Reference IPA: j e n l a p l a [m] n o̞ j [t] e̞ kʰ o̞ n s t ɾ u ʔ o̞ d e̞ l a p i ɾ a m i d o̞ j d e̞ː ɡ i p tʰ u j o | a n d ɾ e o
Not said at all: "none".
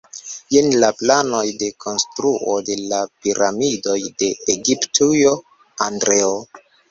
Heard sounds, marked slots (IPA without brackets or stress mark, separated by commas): none, d